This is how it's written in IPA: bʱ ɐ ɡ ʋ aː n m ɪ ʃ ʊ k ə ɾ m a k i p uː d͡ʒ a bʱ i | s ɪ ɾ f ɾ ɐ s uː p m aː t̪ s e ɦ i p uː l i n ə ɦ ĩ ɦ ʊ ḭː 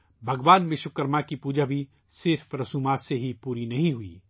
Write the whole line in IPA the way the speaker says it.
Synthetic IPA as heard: bʱ ɐ ɡ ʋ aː n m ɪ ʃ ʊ k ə ɾ m a k i p uː d͡ʒ a bʱ i | s ɪ ɾ f ɾ ɐ s uː m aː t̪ s e ɦ i p uː ɾ i n ɐ ɦ ĩ ɦ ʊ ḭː

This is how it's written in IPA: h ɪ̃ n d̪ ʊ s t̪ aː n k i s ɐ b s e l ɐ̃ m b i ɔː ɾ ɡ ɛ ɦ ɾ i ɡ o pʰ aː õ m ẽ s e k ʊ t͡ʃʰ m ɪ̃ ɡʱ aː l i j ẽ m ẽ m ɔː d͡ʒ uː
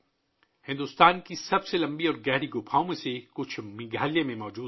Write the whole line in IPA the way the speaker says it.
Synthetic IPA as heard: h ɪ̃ n d̪ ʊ s t̪ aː n k i s ɐ b s e l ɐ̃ m b i ɔː ɾ ɡ ɛ ɦ ɾ i ɡ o pʰ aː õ m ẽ s e k ʊ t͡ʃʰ m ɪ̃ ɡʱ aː l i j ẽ m ẽ m ɔː d͡ʒ uː

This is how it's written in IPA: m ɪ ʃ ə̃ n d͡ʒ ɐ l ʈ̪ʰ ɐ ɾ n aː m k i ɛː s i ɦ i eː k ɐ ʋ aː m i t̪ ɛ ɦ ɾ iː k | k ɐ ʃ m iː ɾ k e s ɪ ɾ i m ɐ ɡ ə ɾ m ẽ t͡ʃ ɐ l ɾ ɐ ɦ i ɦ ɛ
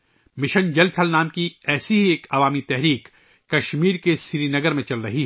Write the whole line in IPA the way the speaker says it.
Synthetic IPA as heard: m ɪ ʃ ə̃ n d͡ʒ ɐ l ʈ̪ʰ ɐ l n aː m k i ɛː s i ɦ i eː k ɐ ʋ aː m i t̪ ɛ ɦ ɾ iː k | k ɐ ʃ m iː ɾ k e s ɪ ɾ i n ɐ ɡ ə ɾ m ẽ t͡ʃ ɐ l ɾ ɐ ɦ i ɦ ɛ

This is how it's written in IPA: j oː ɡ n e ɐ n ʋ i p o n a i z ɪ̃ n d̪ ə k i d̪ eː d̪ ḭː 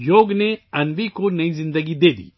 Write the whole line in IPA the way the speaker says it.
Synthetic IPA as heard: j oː ɡ n e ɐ n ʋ i k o n ɐ i z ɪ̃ n d̪ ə ɡ i d̪ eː d̪ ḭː

